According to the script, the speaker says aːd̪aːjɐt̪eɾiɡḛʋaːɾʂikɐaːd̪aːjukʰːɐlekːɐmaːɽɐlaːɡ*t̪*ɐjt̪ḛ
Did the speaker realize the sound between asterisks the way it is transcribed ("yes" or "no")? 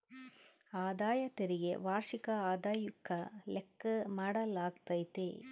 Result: yes